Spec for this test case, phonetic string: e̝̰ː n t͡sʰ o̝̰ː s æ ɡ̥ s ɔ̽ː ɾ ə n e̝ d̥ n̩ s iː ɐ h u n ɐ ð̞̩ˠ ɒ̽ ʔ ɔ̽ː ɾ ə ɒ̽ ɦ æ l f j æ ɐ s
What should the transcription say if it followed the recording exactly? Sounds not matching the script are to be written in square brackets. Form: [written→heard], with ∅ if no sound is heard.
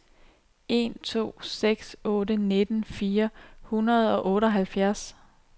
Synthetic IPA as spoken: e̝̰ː n t͡sʰ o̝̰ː s [æ→e] ɡ̥ s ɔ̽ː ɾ ə n e̝ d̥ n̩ [s→f] iː ɐ h u n ɐ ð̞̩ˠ ɒ̽ ʔ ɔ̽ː ɾ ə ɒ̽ ɦ æ l f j æ ɐ s